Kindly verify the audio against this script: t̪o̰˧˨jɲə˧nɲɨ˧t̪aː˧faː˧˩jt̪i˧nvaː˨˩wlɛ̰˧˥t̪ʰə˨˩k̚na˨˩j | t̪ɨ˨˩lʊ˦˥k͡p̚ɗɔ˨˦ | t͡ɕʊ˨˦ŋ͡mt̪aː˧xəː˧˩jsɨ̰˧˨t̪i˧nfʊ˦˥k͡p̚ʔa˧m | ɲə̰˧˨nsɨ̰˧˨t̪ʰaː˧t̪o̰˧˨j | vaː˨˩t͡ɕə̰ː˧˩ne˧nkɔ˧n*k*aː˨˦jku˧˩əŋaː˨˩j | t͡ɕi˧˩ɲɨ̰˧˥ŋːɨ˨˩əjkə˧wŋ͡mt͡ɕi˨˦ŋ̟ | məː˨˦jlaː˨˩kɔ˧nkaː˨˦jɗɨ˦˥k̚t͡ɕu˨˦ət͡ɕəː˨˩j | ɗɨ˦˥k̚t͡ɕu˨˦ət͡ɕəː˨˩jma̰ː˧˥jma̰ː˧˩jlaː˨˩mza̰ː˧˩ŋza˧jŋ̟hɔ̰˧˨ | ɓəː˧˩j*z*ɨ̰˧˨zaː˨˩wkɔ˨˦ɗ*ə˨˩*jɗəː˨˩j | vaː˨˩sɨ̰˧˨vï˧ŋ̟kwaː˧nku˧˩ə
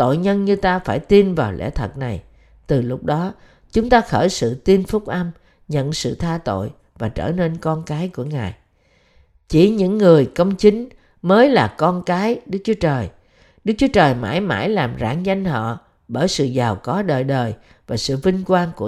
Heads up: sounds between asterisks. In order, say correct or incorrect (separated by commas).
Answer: correct, incorrect, incorrect